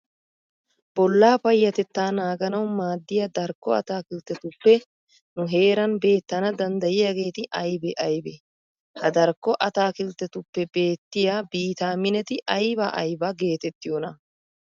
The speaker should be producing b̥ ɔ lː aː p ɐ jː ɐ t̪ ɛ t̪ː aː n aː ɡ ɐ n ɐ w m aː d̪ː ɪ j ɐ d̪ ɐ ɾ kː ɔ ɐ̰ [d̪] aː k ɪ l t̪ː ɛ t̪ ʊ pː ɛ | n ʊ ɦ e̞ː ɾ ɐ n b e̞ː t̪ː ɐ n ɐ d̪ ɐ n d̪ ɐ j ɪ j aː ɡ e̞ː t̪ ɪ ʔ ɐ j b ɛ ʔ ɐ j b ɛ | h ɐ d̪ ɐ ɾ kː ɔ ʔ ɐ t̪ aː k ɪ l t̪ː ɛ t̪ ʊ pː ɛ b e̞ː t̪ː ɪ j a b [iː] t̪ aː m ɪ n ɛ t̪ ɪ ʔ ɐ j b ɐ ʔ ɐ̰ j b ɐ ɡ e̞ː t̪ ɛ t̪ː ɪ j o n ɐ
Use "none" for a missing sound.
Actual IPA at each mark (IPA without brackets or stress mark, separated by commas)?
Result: t̪, iː